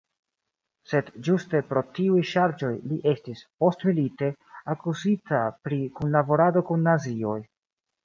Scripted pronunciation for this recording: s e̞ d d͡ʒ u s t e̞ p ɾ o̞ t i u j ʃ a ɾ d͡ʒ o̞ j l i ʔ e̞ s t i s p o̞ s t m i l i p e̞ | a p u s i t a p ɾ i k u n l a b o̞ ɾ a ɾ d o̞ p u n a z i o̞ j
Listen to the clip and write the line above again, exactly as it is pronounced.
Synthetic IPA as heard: s e̞ d d͡ʒ u s t e̞ p ɾ o̞ t i u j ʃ a ɾ d͡ʒ o̞ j l i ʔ e̞ s t i s p o̞ s t m i l i t e̞ | a k u z i t a p ɾ i k u n l a b o̞ ɾ a d o̞ k u nː a z i o̞ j

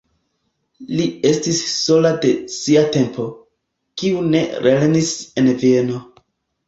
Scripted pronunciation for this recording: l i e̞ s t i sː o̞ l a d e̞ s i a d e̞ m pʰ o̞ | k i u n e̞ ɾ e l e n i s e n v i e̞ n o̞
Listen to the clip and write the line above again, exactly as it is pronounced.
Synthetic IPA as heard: l i e̞ s t i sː o̞ l a d e̞ s i a t e̞ m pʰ o̞ | k i u n e̞ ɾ e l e n i s e n v i e̞ n o̞

